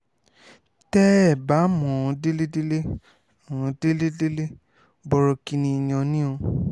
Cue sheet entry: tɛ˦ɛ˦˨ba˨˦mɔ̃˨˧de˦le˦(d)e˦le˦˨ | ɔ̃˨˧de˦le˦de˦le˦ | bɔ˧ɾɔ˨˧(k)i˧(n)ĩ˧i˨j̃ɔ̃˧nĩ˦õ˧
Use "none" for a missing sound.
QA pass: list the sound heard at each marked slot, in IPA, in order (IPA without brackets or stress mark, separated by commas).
d, k, n